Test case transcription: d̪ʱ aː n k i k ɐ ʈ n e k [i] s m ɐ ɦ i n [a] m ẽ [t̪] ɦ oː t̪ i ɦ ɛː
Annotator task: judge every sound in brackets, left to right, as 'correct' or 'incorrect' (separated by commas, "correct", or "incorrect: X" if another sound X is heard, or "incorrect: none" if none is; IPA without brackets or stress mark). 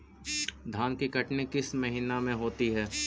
incorrect: ɪ, correct, incorrect: none